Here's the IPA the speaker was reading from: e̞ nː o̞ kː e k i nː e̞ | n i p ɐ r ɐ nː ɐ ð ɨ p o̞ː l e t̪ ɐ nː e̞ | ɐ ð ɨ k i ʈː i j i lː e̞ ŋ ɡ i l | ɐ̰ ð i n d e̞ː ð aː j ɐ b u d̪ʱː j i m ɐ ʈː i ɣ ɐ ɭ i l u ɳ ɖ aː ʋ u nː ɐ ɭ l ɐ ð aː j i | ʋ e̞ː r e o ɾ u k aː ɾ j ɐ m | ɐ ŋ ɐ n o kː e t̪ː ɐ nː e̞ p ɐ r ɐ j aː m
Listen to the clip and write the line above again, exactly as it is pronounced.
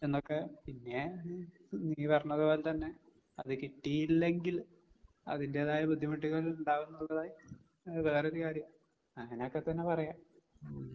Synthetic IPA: e̞ nː o̞ kː e p i nː e̞ | n iː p ɐ r ɐ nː ɐ ð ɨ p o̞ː l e t̪ ɐ nː e̞ | ɐ ð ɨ k i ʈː i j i lː e̞ ŋ ɡ i l | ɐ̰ ð i n d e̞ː ð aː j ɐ b u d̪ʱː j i m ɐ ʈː i ɣ ɐ ɭ i l u ɳ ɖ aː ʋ u nː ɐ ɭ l ɐ ð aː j i | ʋ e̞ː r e o ɾ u k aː ɾ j ɐ m | ɐ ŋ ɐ n o kː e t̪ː ɐ nː e̞ p ɐ r ɐ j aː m